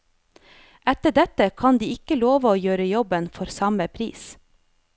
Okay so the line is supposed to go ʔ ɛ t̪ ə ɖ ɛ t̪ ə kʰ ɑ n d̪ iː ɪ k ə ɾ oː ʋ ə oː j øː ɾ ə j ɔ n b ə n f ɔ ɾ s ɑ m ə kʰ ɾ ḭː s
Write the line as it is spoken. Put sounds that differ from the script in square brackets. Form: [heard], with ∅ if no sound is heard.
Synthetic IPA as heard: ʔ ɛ t̪ ə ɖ ɛ t̪ ə kʰ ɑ n d̪ iː ɪ k ə [l] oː ʋ ə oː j øː ɾ ə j ɔ [∅] b ə n f ɔ ɾ s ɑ m ə [pʰ] ɾ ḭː s